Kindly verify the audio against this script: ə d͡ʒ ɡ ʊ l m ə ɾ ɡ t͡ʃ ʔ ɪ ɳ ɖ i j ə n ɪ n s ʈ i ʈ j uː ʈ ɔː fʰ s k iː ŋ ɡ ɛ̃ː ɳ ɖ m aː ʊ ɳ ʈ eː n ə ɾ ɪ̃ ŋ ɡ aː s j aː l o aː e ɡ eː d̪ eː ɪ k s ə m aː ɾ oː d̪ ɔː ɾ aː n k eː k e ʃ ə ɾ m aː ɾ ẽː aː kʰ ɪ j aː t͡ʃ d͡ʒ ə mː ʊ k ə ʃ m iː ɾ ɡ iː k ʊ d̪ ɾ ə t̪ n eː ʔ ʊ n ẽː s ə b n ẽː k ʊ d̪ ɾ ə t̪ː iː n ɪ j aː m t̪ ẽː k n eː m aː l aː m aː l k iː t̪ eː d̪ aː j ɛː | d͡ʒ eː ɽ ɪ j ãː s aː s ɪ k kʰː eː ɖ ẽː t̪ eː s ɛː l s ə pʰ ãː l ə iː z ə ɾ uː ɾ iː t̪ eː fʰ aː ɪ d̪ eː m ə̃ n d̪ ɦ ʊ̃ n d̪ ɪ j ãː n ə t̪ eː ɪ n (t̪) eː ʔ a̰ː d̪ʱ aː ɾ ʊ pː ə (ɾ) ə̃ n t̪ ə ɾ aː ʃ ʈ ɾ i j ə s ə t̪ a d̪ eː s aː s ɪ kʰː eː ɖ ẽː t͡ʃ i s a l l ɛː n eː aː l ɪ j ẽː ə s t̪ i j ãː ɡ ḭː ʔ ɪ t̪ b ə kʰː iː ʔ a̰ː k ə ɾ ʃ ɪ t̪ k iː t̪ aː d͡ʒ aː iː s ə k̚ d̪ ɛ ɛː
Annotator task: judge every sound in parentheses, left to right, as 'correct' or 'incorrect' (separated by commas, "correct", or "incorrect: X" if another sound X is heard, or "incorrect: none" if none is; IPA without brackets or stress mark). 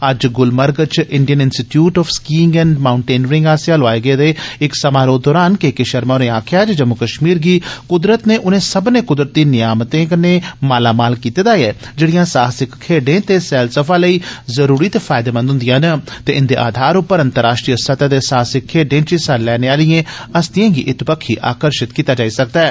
incorrect: d̪, correct